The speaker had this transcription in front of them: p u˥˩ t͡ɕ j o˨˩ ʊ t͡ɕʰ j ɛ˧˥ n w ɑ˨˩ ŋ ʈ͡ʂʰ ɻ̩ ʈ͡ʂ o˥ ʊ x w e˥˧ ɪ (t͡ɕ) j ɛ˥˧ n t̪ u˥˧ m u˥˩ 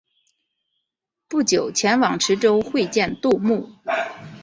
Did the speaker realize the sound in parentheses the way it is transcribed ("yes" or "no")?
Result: yes